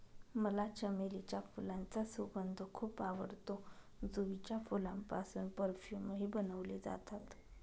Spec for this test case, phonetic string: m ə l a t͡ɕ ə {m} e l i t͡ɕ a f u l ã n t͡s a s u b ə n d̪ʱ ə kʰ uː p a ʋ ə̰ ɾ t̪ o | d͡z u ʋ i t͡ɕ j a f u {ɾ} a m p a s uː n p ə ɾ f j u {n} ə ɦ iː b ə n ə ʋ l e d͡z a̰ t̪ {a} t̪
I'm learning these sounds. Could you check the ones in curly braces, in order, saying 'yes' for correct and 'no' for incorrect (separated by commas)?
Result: yes, no, no, yes